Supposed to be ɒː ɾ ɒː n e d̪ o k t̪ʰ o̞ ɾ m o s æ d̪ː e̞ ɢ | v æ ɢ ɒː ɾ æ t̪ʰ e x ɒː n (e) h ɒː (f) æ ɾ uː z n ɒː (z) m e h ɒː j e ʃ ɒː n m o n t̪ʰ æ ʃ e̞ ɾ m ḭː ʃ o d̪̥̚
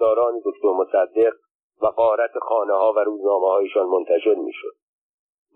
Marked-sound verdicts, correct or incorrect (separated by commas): correct, incorrect, incorrect